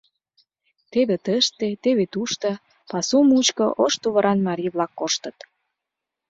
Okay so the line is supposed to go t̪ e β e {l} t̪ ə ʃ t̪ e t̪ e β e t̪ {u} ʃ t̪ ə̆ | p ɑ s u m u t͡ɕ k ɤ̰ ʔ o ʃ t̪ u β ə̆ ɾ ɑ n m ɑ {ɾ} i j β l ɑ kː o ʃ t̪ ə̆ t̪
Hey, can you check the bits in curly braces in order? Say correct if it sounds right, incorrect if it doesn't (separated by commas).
incorrect, correct, correct